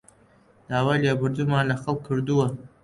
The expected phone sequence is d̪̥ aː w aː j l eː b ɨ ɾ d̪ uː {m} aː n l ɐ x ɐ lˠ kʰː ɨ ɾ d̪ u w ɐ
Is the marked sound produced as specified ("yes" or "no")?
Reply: yes